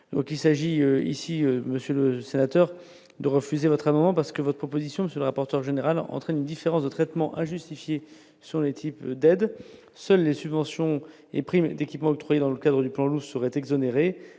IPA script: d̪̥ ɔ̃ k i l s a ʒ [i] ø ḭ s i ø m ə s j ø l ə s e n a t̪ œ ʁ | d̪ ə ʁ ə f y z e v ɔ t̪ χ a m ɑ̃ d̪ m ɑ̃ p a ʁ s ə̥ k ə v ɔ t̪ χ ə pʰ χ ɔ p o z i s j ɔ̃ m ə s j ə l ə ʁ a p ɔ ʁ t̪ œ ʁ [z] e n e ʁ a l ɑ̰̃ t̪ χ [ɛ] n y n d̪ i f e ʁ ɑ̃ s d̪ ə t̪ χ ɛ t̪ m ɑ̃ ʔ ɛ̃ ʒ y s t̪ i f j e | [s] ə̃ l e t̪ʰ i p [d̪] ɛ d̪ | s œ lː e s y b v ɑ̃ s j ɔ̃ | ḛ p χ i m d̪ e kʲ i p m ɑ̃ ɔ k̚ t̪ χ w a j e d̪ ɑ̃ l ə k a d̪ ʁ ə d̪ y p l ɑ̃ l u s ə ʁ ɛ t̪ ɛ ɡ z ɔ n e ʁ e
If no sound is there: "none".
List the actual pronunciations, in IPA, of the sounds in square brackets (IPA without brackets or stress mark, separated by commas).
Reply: i, ʒ, ɛ, s, d̪